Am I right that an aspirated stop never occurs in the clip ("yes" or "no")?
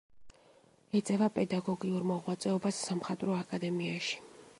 yes